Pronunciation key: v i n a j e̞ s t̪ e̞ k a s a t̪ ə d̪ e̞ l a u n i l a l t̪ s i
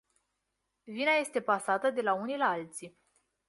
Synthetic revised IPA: v i n a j e̞ s t̪ e̞ p a s a t̪ ə d̪ e̞ l a u n i l a l t̪ s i